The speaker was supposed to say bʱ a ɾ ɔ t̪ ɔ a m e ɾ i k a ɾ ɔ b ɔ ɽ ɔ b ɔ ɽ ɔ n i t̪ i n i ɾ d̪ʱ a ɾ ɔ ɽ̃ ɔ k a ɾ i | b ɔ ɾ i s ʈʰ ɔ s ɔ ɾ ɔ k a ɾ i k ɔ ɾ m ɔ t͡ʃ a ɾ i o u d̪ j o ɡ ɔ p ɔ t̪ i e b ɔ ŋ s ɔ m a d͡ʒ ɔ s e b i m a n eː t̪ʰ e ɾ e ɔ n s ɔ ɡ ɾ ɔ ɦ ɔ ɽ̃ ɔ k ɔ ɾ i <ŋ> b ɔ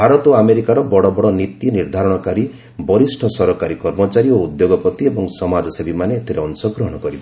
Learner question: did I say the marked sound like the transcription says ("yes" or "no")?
no